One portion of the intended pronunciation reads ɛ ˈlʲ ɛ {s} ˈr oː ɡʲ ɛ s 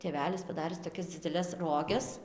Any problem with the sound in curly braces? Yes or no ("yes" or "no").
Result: no